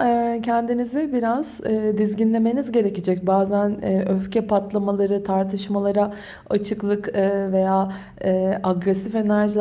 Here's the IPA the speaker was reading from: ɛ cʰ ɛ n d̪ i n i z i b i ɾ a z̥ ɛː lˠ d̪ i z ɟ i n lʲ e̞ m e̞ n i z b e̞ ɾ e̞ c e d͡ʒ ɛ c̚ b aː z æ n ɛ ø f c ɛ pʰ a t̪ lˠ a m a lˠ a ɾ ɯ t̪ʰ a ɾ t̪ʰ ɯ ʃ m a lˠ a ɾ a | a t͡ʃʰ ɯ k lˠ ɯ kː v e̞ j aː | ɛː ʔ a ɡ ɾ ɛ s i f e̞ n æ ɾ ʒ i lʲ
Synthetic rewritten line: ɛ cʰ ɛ n d̪ i n i z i b i ɾ a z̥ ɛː d̪ i z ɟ i n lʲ e̞ m e̞ n i z ɟ e̞ ɾ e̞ c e d͡ʒ ɛ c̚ b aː z æ n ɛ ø f c ɛ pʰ a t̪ lˠ a m a lˠ a ɾ ɯ t̪ʰ a ɾ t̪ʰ ɯ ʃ m a lˠ a ɾ a | a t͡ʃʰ ɯ k lˠ ɯ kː v e̞ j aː | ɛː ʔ a ɡ ɾ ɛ s i f e̞ n æ ɾ ʒ i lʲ